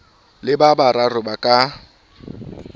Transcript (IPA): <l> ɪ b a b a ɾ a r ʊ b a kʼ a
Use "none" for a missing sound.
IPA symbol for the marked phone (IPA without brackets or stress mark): l